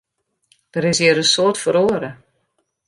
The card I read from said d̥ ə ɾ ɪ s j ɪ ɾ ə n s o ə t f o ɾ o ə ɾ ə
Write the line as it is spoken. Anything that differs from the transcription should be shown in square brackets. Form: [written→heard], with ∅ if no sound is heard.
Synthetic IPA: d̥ ə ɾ ɪ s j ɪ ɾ ə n s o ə t f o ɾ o ə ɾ ə